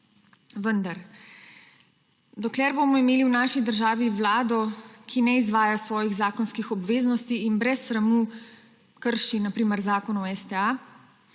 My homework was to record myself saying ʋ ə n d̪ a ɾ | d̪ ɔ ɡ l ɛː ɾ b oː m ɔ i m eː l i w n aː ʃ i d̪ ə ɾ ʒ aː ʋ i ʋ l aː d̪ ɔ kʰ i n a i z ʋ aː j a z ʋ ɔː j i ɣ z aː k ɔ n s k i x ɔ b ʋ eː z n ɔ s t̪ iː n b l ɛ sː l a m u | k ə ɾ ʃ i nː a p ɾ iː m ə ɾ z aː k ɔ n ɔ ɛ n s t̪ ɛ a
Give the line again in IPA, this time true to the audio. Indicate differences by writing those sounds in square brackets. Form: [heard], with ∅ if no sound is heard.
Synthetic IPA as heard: ʋ ə n d̪ a ɾ | d̪ ɔ [k] l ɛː ɾ b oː m ɔ i m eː l i w n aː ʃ i d̪ ə ɾ ʒ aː ʋ i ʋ l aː d̪ ɔ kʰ i n [ɛ] i z ʋ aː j a [s] ʋ ɔː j i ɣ z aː k ɔ n s k i x ɔ b ʋ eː z n ɔ s t̪ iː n b [ɾ] ɛ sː [ɾ] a m u | k ə ɾ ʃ i [n] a p ɾ iː m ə ɾ z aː k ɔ n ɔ ɛ [∅] s t̪ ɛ a